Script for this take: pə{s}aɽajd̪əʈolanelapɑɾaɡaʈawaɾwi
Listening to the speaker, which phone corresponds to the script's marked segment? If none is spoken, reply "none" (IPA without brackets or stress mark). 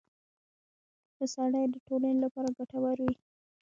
s